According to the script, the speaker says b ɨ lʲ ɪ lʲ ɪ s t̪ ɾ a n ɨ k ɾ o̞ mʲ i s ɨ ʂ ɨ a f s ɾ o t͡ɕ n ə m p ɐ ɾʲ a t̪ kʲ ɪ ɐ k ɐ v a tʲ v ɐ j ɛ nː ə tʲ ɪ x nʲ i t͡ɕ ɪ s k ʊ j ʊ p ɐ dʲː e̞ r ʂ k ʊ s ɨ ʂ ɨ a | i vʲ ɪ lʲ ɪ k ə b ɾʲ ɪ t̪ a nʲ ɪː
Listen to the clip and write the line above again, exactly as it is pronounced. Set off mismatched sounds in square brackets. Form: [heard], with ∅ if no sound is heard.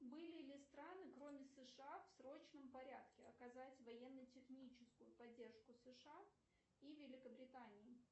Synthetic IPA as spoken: b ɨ lʲ ɪ lʲ ɪ s t̪ ɾ a n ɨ k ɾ o̞ mʲ [ɪ] s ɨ ʂ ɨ a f s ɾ o t͡ɕ n ə m p ɐ ɾʲ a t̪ kʲ ɪ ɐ k ɐ [z] a tʲ v ɐ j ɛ nː ə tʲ ɪ x nʲ i t͡ɕ ɪ s k ʊ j ʊ p ɐ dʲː e̞ r ʂ k ʊ s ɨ ʂ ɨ a | i vʲ ɪ lʲ ɪ k ə b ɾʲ ɪ t̪ a nʲ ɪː